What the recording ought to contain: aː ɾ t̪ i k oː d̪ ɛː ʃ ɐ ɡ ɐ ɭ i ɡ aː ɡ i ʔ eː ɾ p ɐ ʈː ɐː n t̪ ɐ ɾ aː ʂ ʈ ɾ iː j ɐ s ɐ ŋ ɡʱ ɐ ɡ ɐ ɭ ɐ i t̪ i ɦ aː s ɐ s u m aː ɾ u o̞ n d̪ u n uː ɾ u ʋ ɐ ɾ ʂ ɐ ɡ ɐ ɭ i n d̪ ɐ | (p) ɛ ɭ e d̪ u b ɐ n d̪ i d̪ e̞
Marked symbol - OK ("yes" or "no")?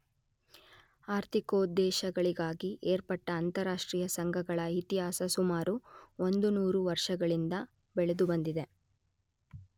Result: no